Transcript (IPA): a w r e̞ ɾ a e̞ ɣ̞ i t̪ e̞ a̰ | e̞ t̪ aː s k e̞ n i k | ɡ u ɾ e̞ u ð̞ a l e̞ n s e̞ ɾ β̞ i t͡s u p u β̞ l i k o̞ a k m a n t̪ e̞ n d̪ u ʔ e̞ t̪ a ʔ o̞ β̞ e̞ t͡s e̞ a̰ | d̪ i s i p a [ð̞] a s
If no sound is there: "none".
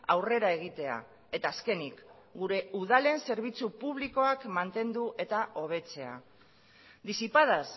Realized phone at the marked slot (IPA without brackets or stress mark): ð̞